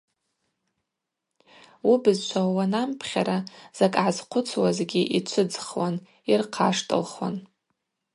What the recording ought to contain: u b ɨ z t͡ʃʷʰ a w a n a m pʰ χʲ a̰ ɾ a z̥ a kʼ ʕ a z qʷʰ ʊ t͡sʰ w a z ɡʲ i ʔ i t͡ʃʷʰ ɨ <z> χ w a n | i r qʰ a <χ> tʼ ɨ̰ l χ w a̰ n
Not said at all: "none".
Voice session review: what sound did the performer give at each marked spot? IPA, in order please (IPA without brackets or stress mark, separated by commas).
d͡z, ʂ